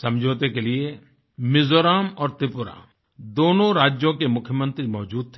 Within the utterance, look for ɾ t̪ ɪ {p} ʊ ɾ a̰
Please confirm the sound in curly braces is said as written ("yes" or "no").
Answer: yes